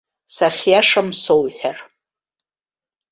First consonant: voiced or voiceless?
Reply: voiceless